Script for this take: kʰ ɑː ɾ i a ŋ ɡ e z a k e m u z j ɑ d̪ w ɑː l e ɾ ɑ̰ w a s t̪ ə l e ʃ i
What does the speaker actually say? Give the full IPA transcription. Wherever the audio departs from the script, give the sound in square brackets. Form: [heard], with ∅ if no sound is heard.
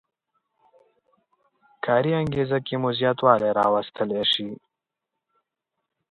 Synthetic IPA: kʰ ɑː ɾ i a ŋ ɡ e z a k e m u z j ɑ [t̪] w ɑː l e ɾ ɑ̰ w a s t̪ ə l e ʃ i